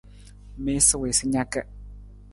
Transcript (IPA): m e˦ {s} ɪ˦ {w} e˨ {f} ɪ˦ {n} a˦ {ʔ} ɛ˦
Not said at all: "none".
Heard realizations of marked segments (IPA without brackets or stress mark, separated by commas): s, w, s, ɲ, k